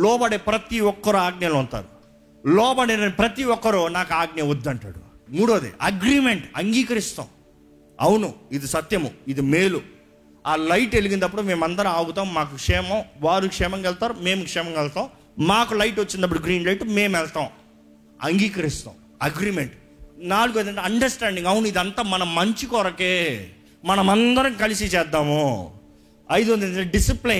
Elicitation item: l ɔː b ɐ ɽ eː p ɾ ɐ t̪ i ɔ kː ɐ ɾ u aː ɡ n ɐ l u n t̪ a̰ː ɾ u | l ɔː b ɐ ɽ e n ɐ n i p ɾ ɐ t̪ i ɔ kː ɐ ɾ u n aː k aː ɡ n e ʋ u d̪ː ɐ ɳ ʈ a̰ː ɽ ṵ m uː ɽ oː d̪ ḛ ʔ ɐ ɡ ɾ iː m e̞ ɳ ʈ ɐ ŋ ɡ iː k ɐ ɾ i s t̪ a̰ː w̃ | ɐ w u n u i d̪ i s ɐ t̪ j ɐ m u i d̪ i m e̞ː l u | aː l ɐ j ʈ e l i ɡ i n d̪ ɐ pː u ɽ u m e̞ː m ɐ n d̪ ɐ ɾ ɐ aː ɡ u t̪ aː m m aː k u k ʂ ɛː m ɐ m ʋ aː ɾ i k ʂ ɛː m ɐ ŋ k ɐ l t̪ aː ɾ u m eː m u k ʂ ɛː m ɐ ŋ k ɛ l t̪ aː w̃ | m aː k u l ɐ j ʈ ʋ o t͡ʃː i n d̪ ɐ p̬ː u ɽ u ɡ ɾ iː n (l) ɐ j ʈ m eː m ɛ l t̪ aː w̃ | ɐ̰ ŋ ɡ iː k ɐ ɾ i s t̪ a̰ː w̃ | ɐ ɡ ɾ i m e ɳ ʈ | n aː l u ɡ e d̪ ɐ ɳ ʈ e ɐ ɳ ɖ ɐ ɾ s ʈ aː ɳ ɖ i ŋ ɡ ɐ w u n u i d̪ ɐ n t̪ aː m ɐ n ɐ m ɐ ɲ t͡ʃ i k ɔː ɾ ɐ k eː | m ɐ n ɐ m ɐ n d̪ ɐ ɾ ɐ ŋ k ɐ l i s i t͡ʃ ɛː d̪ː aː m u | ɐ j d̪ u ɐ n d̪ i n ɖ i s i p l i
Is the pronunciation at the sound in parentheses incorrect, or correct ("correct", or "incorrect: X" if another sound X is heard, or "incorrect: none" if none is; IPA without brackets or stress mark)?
correct